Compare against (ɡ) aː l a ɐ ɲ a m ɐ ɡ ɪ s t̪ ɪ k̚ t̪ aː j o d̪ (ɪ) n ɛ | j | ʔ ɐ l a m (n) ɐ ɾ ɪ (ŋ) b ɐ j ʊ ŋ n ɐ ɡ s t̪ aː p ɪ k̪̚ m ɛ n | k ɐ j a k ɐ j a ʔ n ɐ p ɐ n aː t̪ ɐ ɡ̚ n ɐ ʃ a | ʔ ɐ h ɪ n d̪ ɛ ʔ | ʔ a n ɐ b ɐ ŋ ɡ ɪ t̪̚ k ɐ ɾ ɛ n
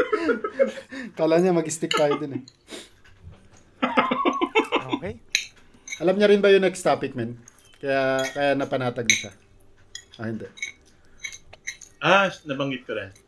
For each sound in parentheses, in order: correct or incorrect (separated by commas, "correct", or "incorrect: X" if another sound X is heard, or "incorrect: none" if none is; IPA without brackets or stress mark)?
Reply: incorrect: k, correct, incorrect: ɲ, incorrect: n